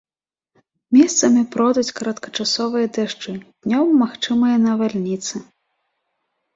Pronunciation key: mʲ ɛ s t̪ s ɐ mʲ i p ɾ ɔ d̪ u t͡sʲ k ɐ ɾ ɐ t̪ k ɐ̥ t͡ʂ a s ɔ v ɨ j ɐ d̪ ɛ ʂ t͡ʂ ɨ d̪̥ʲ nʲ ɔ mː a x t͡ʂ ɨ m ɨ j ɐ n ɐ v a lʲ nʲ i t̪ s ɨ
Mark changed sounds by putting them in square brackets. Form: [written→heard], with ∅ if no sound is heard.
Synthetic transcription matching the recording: mʲ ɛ s t̪ s ɐ mʲ i p ɾ ɔ d̪ u t͡sʲ k ɐ ɾ ɐ t̪ k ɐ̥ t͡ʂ a s ɔ v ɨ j ɐ d̪ ɛ ʂ t͡ʂ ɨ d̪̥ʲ nʲ ɔ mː a x t͡ʂ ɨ m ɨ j ɐ n ɐ v a lʲ nʲ i t̪ s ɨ

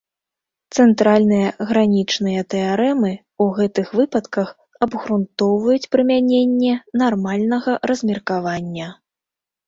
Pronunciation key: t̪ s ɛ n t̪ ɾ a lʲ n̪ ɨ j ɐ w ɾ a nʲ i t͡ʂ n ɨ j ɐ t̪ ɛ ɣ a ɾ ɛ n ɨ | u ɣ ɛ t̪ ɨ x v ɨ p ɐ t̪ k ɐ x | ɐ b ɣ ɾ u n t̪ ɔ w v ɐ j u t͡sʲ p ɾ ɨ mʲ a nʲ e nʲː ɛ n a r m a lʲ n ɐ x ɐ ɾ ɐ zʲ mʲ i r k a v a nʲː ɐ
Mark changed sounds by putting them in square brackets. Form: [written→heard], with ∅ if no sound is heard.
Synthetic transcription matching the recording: t̪ s ɛ n t̪ ɾ a lʲ n̪ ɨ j ɐ [w→ɣ] ɾ a nʲ i t͡ʂ n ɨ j ɐ t̪ ɛ [ɣ→∅] a ɾ ɛ [n→m] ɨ | u ɣ ɛ t̪ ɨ x v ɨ p ɐ t̪ k ɐ x | ɐ b ɣ ɾ u n t̪ ɔ w v ɐ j u t͡sʲ p ɾ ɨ mʲ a nʲ e nʲː ɛ n a r m a lʲ n ɐ [x→ɣ] ɐ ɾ ɐ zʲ mʲ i r k a v a nʲː ɐ

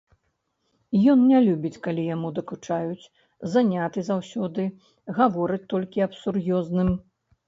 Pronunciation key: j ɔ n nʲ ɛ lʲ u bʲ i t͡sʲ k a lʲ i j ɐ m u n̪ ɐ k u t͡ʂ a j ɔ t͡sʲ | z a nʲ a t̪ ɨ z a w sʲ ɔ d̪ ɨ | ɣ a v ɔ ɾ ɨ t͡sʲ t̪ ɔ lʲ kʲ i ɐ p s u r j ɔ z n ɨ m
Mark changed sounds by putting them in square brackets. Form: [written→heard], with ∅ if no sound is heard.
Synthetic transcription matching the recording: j ɔ n nʲ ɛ lʲ u bʲ i t͡sʲ k a lʲ i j [ɐ→a] m u [n̪→d̪] ɐ k u t͡ʂ a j [ɔ→u] t͡sʲ | z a nʲ a t̪ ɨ z a w sʲ ɔ d̪ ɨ | ɣ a v ɔ ɾ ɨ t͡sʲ t̪ ɔ lʲ kʲ i ɐ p s u r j ɔ z n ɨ m

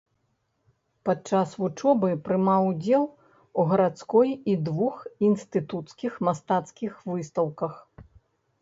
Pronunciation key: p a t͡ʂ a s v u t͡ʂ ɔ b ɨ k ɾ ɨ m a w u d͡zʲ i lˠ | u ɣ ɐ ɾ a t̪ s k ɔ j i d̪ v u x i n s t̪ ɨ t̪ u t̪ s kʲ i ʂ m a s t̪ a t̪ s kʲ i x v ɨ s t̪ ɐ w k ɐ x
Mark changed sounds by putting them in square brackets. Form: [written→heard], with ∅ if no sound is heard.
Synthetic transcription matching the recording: p a t͡ʂ a s v u t͡ʂ ɔ b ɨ [k→p] ɾ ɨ m a w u d͡zʲ [i→ɛ] lˠ | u ɣ ɐ ɾ a t̪ s k ɔ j i d̪ v u x i n s t̪ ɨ t̪ u t̪ s kʲ i [ʂ→x] m a s t̪ a t̪ s kʲ i x v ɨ s t̪ ɐ w k ɐ x

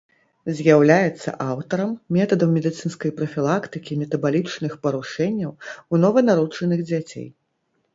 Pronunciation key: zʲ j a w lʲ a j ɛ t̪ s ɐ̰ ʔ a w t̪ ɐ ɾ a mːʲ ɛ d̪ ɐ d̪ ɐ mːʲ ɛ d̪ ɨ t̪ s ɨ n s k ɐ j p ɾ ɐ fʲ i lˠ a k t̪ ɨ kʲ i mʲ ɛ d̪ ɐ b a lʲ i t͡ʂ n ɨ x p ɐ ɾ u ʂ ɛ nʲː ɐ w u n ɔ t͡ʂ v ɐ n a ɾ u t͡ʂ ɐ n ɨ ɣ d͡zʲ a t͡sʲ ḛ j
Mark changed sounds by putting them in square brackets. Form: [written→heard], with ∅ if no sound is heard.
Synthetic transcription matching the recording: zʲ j a w lʲ a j ɛ t̪ [s→sː] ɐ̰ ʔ a w t̪ ɐ ɾ [a→ɐ] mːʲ ɛ [d̪→t̪] ɐ d̪ ɐ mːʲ ɛ d̪ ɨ t̪ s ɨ n s k ɐ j p ɾ ɐ fʲ i lˠ a k t̪ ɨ kʲ i mʲ ɛ [d̪→t̪] ɐ b a lʲ i t͡ʂ n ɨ x p ɐ ɾ u ʂ ɛ nʲː ɐ w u n ɔ [t͡ʂ→∅] v ɐ n a ɾ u t͡ʂ ɐ n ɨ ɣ d͡zʲ a t͡sʲ ḛ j

